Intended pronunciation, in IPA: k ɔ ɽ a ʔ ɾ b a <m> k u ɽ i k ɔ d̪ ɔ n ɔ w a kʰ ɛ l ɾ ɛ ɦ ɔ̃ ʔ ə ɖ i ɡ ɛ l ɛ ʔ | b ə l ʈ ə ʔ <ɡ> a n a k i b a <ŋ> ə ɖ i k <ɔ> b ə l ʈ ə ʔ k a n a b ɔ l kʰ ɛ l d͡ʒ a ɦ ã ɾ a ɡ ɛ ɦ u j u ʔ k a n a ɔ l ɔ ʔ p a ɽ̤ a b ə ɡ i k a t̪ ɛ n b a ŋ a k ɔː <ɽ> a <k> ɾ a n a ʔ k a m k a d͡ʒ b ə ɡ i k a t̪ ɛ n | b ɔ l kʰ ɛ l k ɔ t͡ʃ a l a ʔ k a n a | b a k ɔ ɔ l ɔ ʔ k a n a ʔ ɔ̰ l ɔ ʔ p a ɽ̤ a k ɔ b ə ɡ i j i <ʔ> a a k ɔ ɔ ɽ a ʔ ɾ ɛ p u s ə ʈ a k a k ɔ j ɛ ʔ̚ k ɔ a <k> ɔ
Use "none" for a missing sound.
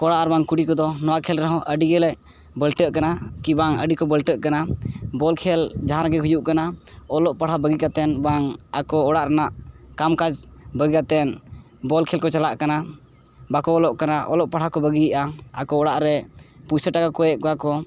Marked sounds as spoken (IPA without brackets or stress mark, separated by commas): ŋ, k, ŋ, ɔ, ɽ, ʔ, ʔ, k